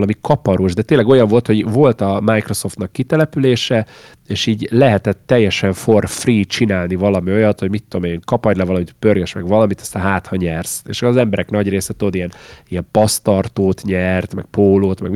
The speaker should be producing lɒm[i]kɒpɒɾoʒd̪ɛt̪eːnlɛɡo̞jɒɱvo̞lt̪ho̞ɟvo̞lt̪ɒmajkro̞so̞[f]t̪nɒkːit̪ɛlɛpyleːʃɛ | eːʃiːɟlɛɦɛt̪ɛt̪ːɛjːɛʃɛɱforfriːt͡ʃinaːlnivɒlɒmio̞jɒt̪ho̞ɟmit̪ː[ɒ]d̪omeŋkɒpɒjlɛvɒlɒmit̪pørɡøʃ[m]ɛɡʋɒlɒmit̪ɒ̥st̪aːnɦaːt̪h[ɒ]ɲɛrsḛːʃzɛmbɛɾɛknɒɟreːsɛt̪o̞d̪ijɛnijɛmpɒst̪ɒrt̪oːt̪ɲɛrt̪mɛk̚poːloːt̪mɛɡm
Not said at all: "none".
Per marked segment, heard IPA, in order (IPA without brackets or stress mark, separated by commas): i, f, o, m, ɒ